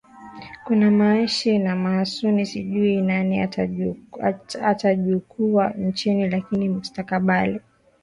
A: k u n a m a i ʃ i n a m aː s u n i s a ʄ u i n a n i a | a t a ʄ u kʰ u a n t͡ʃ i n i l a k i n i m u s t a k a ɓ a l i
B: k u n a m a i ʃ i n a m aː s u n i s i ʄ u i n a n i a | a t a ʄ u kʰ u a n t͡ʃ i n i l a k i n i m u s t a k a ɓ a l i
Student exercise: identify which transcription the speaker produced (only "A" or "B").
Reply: B